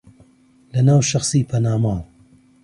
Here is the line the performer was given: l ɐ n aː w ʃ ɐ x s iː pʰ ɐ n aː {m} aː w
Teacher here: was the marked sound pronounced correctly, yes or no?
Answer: yes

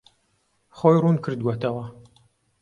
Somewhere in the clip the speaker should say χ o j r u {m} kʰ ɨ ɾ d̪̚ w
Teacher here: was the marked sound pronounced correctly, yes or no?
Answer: no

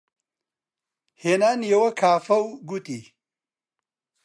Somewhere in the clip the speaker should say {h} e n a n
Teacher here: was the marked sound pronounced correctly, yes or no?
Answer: yes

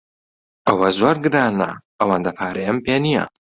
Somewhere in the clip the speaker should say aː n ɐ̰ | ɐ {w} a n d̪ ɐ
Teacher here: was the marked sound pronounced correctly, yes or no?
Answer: yes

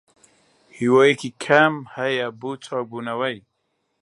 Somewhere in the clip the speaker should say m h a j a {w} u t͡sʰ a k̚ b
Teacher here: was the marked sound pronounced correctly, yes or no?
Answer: no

